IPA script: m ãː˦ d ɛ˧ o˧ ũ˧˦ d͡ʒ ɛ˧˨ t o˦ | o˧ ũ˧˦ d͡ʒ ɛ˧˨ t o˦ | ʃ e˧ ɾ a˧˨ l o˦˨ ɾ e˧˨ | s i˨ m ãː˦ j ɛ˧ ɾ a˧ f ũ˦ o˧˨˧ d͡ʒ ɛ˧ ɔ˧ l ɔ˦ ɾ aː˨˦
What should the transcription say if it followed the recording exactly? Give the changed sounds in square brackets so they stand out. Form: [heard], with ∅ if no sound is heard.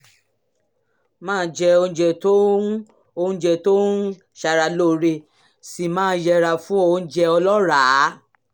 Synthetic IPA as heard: m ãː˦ [d͡ʒ] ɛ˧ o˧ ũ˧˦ d͡ʒ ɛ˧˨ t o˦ | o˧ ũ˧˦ d͡ʒ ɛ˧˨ t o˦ | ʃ [a˧] ɾ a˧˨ l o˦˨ ɾ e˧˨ | s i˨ m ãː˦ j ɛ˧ ɾ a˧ f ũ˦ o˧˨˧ d͡ʒ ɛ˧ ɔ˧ l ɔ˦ ɾ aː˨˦